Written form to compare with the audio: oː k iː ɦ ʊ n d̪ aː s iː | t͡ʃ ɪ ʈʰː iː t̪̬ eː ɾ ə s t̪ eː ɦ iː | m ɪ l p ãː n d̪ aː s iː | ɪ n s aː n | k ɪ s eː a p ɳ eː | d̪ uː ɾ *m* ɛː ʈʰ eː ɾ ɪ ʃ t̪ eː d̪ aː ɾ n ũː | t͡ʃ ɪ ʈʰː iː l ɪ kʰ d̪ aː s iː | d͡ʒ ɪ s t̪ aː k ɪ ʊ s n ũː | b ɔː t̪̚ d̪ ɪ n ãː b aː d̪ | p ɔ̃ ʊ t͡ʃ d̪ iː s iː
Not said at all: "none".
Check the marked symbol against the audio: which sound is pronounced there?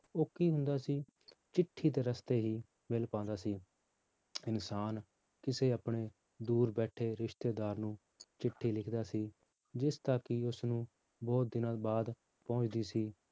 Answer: b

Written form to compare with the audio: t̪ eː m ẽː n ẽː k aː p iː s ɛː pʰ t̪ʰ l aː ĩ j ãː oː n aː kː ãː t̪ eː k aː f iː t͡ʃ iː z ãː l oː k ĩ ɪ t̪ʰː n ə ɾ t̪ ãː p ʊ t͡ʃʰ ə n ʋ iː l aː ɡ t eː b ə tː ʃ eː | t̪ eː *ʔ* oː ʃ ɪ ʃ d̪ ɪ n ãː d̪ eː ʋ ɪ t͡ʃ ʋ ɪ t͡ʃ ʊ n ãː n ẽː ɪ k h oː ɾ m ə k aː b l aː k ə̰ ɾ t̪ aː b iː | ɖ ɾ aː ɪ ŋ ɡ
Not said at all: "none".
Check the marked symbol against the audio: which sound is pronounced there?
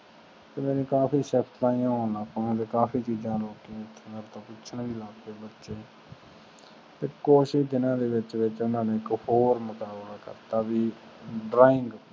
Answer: k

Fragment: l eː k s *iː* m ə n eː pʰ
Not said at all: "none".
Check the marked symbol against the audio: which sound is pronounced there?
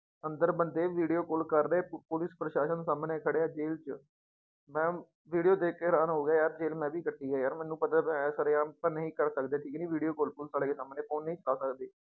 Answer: aː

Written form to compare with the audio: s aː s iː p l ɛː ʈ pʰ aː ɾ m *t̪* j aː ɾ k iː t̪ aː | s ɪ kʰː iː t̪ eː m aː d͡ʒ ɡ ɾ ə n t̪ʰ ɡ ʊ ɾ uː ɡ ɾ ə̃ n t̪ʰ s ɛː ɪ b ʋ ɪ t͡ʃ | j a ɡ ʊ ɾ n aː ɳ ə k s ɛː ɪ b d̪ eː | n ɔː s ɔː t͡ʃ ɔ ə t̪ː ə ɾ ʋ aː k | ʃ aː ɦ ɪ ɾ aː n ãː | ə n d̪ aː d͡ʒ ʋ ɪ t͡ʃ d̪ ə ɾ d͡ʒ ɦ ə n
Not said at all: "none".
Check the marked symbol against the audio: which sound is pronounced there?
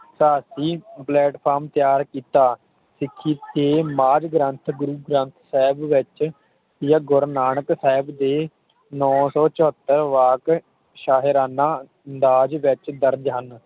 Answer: t̪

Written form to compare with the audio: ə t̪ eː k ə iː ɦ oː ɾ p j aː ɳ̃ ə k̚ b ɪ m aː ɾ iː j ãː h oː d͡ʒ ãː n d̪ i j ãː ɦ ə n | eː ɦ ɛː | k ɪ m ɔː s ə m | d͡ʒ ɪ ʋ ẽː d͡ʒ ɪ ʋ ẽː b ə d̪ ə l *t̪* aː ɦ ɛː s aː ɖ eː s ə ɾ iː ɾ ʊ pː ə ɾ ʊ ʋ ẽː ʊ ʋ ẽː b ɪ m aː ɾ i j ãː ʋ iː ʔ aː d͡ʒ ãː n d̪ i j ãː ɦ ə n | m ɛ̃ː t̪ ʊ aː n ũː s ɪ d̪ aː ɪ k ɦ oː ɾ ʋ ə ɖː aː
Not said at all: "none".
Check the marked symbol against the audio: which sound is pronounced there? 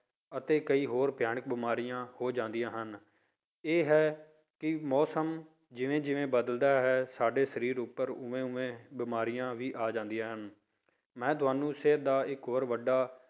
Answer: d̪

